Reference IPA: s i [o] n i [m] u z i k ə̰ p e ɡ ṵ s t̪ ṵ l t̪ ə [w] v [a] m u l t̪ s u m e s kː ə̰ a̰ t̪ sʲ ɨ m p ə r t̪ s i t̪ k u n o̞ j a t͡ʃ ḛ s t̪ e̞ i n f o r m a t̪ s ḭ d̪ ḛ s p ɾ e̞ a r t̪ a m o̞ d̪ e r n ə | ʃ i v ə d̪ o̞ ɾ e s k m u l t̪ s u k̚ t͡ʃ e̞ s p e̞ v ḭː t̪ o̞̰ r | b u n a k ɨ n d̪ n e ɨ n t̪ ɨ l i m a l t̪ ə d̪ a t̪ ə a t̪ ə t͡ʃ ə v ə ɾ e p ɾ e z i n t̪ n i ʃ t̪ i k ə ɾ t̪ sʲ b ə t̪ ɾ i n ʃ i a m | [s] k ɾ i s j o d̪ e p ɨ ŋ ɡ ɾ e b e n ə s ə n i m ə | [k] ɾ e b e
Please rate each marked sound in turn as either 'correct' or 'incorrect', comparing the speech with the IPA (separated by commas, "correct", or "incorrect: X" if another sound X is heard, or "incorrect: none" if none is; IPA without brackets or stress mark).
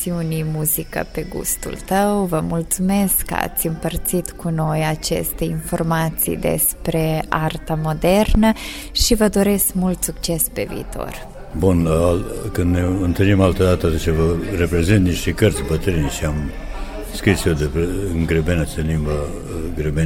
incorrect: u, correct, correct, incorrect: ə, correct, incorrect: ɡ